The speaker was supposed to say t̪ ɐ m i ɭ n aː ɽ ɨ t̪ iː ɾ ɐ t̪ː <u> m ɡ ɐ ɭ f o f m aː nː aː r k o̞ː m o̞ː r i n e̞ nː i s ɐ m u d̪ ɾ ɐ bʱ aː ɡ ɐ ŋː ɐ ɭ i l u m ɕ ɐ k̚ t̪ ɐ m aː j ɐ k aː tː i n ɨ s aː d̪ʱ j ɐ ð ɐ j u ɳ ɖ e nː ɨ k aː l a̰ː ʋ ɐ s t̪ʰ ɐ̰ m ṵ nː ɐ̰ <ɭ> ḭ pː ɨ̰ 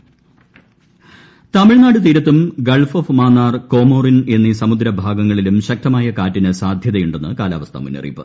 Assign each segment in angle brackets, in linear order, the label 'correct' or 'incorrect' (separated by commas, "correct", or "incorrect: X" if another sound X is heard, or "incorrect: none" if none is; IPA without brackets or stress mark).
correct, incorrect: r